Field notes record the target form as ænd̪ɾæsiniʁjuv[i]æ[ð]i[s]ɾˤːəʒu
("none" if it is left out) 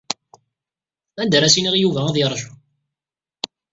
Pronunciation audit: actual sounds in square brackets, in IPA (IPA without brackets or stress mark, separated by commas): æ, ð, none